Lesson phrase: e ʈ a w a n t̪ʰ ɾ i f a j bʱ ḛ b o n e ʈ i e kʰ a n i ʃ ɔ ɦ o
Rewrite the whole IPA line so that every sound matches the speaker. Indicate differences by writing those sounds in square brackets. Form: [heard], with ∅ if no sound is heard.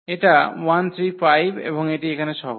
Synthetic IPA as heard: e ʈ a w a n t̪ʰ ɾ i f a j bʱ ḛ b o [ŋ] e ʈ i e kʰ a n [e] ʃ ɔ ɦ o